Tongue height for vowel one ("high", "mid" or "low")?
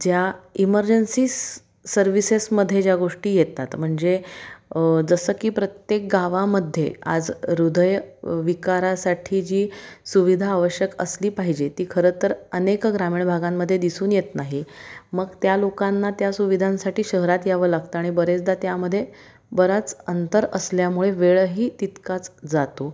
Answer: low